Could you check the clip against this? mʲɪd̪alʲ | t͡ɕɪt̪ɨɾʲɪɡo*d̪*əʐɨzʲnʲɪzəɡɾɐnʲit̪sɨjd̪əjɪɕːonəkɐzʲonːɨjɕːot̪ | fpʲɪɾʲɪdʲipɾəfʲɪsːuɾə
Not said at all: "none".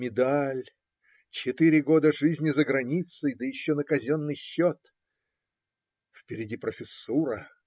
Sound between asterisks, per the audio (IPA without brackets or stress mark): d̪